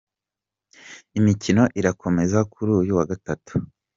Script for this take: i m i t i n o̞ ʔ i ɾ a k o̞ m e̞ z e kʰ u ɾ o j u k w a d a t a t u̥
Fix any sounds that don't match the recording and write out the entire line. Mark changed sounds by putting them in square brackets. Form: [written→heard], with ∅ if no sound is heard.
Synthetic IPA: i m i [t→c] i n o̞ ʔ i ɾ a k o̞ m e̞ z [e→a] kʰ u ɾ [o→u] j u [k→∅] w a [d→ɡ] a t a t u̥